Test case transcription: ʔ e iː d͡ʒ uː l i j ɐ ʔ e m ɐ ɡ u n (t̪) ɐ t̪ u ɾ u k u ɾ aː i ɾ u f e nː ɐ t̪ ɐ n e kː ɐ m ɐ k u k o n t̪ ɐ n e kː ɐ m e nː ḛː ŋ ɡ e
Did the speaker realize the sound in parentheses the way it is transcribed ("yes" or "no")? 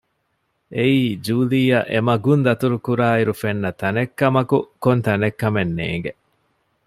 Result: no